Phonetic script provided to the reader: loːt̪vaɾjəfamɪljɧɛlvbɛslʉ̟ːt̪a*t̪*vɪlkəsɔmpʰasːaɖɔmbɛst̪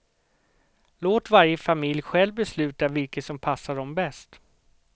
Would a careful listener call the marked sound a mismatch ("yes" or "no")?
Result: yes